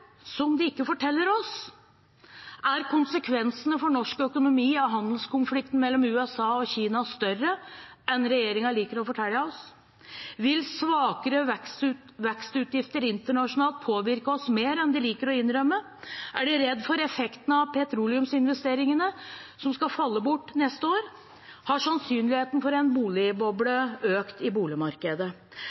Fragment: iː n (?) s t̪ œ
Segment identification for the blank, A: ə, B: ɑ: B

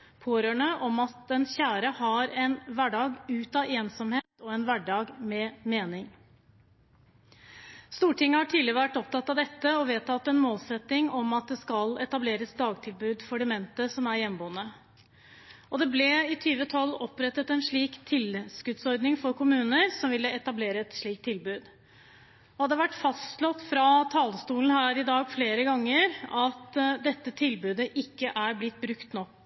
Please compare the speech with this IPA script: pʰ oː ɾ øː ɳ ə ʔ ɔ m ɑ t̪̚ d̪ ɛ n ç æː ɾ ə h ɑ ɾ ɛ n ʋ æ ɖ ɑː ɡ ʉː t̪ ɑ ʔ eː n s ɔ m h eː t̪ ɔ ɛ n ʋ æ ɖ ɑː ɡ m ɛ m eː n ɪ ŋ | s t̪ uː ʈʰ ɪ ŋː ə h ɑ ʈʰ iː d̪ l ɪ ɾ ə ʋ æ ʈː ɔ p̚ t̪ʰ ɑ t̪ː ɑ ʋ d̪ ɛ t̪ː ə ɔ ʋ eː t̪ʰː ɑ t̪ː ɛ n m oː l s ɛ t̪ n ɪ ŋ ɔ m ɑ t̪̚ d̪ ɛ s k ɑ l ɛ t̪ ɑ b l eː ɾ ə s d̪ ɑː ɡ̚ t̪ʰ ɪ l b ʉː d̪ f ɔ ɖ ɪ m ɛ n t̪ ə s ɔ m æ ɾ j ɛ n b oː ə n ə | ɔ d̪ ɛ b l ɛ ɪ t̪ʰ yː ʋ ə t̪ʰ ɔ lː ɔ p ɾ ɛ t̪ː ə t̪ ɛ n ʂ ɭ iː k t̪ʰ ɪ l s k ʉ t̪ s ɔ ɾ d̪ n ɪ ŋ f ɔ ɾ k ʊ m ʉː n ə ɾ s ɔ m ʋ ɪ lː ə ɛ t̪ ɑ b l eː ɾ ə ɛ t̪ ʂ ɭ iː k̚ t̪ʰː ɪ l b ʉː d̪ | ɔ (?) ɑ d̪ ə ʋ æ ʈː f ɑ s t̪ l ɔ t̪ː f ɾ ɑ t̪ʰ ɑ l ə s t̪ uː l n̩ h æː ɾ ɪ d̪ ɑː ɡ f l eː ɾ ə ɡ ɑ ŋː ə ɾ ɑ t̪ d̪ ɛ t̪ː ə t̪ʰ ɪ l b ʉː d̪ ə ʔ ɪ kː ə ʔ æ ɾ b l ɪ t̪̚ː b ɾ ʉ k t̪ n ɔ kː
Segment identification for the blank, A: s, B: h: B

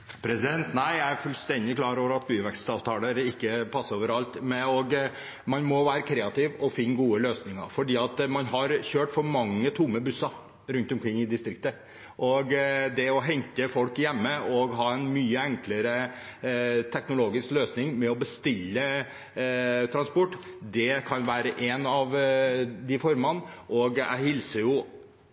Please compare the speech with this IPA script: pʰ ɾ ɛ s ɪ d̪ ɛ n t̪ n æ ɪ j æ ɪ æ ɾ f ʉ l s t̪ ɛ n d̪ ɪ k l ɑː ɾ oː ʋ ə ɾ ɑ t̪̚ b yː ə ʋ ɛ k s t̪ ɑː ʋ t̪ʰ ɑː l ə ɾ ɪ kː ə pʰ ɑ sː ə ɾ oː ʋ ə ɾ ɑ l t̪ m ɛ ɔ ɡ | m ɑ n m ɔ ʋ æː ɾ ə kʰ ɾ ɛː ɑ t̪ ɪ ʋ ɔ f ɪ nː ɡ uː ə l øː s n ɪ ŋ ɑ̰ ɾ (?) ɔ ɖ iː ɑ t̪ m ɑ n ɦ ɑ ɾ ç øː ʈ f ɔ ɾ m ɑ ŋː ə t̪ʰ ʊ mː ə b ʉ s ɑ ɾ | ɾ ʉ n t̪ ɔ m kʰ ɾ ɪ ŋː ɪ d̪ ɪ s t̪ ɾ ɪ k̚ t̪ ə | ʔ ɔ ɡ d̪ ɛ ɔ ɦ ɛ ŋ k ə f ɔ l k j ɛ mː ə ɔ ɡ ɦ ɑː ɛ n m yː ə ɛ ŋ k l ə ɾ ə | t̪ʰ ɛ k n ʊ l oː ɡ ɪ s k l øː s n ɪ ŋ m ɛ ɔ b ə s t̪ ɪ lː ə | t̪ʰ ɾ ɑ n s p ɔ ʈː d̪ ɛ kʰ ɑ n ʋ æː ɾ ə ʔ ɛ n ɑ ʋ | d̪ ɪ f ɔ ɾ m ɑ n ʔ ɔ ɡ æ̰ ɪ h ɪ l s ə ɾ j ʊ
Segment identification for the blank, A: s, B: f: B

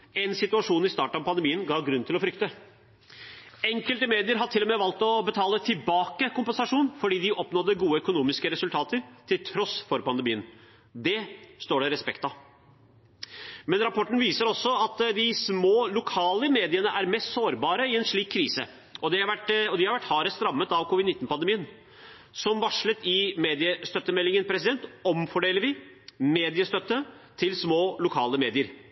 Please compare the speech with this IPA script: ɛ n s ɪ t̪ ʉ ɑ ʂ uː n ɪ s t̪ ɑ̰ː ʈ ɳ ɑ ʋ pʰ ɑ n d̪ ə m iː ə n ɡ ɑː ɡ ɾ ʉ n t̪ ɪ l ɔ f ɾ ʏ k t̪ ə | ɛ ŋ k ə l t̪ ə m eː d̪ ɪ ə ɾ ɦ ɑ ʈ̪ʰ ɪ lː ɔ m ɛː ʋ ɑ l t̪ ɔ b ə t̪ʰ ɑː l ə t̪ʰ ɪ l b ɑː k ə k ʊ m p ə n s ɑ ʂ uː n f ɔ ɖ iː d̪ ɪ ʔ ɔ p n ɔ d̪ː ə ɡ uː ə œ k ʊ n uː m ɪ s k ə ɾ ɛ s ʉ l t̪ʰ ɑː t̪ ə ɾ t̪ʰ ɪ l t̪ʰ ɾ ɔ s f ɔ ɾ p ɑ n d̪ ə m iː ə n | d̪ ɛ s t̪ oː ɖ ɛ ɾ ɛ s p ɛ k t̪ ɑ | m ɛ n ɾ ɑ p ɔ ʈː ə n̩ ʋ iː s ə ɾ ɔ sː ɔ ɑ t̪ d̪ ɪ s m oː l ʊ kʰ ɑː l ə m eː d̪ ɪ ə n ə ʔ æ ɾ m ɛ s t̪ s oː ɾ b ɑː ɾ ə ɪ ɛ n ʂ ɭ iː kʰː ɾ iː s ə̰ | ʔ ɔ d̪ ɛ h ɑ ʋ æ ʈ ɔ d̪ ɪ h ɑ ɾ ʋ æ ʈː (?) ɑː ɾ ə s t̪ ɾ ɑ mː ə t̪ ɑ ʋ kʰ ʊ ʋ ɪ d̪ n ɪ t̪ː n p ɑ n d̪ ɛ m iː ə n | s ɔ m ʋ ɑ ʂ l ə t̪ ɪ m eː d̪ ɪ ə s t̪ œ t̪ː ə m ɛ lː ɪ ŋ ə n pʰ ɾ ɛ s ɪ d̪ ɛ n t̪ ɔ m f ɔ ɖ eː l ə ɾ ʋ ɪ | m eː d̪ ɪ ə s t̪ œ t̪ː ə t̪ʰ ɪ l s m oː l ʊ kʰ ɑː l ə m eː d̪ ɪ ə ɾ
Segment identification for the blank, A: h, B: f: A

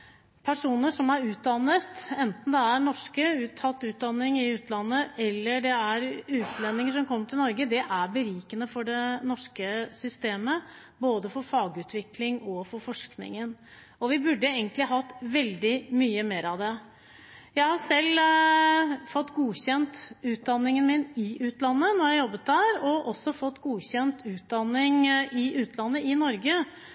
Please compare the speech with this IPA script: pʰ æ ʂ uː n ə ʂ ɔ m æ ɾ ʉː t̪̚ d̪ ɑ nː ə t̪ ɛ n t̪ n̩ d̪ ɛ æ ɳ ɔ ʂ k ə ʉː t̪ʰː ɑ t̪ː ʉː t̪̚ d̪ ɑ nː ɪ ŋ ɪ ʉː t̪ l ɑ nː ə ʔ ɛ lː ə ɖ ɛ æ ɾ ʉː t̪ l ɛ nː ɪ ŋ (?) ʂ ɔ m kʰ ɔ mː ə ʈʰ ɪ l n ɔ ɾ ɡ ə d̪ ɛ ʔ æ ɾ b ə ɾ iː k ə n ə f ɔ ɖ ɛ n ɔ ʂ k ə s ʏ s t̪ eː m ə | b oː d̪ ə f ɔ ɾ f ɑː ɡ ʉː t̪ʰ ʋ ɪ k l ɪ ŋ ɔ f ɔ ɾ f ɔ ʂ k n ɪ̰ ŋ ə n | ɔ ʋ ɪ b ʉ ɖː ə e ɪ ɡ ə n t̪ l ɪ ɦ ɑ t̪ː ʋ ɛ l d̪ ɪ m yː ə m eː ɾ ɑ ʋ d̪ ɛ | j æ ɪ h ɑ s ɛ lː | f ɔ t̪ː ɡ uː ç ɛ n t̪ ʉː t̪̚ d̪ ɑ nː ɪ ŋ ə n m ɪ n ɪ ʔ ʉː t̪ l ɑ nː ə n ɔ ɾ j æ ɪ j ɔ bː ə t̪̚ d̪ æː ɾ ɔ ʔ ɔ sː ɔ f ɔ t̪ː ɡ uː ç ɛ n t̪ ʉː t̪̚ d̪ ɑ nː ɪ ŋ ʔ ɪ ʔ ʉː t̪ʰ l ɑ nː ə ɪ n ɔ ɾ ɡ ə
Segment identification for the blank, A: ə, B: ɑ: A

